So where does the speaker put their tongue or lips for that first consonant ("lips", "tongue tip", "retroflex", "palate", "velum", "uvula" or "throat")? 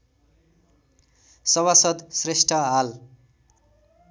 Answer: tongue tip